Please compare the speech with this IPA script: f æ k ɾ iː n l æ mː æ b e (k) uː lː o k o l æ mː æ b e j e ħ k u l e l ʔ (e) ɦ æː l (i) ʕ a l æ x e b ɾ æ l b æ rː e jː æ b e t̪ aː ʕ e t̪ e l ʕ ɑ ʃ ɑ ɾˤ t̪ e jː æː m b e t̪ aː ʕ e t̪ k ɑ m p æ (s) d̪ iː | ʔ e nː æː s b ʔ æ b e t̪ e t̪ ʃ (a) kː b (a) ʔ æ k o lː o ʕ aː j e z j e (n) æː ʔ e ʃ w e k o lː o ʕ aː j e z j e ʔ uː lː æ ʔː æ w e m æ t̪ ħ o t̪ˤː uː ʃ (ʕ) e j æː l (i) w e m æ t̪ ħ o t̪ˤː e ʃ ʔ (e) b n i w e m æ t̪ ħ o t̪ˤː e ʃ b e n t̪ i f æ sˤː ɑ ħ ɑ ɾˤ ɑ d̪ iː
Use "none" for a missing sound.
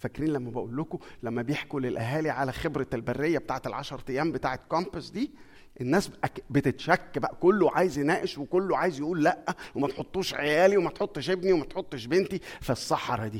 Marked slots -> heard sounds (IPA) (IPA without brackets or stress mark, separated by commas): ʔ, æ, i, s, æ, æ, n, ʕ, i, e